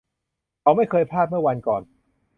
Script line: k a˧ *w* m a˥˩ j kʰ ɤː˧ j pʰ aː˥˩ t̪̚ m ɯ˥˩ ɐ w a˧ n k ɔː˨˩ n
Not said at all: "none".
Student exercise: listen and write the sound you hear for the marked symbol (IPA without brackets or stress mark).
w